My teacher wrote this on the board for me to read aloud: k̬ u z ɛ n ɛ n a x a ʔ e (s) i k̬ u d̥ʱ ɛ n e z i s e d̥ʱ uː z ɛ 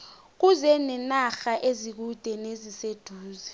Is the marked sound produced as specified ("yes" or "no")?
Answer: no